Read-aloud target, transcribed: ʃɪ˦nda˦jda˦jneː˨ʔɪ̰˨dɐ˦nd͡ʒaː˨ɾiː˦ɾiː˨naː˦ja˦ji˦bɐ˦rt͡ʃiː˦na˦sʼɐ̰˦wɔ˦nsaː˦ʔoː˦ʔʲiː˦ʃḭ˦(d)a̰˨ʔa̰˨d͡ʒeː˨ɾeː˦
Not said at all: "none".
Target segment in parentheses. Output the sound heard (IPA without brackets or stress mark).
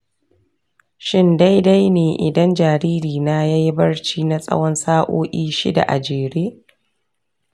d